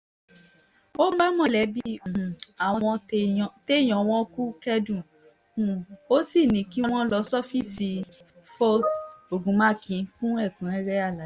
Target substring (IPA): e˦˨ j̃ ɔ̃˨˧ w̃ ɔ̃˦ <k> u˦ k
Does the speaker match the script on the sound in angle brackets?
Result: yes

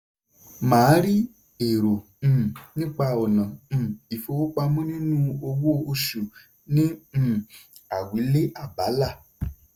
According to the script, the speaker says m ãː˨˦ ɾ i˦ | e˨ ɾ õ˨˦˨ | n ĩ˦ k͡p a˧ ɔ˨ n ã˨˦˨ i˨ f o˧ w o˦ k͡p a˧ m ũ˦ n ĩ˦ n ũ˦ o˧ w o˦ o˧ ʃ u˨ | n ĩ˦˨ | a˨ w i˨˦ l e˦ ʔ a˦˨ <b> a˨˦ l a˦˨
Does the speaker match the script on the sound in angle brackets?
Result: yes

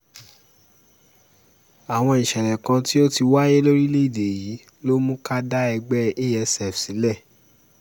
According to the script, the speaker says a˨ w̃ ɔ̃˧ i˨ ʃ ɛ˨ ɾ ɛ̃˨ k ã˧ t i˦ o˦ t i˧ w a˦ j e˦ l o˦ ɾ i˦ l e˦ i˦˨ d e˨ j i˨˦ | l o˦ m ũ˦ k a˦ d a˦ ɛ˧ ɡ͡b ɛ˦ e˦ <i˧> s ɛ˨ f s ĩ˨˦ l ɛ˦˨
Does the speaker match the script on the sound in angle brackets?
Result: no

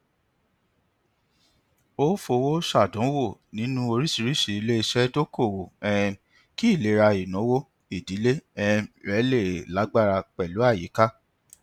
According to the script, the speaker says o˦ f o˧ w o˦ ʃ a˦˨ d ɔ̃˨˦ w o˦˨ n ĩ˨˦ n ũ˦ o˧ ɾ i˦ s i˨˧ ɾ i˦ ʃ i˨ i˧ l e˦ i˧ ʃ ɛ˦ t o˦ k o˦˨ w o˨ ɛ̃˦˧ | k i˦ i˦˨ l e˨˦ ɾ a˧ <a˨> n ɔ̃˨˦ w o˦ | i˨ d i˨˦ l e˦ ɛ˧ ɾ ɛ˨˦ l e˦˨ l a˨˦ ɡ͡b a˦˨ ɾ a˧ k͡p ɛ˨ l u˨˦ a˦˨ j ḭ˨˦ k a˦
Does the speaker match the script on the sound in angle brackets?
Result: no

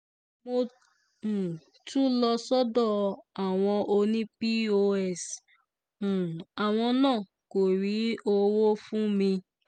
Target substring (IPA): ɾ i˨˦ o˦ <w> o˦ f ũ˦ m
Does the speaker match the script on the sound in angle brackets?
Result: yes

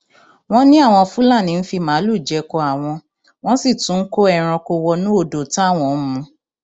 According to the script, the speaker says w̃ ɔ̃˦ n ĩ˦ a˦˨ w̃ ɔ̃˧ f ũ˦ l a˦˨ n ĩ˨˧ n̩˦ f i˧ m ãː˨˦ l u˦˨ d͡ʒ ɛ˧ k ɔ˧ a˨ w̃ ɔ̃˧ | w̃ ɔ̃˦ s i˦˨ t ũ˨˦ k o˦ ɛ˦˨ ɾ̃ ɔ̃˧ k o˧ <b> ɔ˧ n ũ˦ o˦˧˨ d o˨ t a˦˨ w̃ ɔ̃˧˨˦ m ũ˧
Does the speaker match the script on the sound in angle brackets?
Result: no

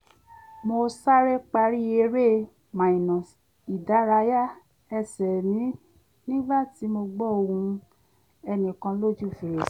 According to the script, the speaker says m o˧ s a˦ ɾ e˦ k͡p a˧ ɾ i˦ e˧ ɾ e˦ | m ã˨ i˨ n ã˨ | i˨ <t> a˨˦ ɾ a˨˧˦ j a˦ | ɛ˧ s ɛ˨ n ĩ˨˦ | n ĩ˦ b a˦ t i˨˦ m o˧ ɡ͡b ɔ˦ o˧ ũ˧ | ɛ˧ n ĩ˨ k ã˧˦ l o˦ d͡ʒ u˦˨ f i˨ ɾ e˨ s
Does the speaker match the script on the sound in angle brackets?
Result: no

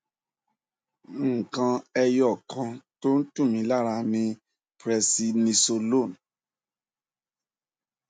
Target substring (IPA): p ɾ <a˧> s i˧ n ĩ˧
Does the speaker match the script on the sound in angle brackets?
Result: no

